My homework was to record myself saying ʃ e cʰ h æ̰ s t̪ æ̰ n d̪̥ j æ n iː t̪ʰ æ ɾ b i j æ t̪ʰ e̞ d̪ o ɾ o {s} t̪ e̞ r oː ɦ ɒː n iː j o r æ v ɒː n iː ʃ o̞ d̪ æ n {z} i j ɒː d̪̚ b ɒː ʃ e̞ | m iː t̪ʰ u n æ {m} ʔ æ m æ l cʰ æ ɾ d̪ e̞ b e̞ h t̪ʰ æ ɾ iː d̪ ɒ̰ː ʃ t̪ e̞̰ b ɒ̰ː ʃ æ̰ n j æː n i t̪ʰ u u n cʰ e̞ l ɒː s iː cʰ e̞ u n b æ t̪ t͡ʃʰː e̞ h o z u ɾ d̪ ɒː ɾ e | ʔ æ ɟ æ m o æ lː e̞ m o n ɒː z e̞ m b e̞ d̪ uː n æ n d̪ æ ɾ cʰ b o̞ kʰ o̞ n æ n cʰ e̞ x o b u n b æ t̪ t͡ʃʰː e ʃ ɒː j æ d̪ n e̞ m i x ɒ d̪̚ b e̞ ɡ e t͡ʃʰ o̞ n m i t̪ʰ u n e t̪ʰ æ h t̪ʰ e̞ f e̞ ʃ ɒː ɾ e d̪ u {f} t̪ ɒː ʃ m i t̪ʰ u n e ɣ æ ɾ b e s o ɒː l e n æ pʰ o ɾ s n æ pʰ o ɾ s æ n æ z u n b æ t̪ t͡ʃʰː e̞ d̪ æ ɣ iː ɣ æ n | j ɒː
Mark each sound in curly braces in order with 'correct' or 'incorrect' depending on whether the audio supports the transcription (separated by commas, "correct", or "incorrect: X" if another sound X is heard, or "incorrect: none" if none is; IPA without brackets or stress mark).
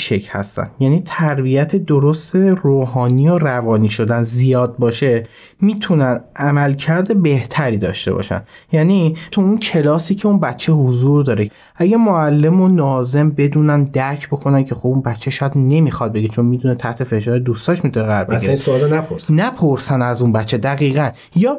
correct, correct, incorrect: n, incorrect: s